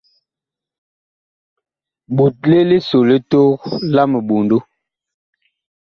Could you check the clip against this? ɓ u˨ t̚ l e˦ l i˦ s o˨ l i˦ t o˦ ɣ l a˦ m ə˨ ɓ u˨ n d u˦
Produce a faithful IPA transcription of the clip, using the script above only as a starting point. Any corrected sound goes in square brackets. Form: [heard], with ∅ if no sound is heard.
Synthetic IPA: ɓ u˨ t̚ l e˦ l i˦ s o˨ l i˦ t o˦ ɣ l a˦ m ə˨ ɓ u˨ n d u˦